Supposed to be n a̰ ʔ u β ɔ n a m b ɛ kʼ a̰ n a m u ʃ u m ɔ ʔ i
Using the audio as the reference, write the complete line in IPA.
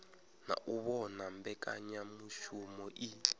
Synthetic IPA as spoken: n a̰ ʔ u β ɔ n a m b ɛ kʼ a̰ ɲ a m u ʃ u m ɔ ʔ i